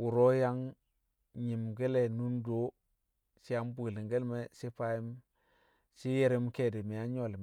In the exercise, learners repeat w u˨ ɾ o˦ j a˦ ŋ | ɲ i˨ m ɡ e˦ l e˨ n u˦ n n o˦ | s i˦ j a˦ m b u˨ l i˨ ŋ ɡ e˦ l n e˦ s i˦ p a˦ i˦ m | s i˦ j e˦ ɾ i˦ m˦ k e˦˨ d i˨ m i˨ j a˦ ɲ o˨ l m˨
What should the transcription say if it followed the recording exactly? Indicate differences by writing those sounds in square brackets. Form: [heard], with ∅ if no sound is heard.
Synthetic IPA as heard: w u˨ ɾ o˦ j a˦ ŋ | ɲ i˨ m ɡ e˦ l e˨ n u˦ n [d] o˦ | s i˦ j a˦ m b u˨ l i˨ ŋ ɡ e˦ l [m] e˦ s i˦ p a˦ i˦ m | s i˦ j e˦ ɾ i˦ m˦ k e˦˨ d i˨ m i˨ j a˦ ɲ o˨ l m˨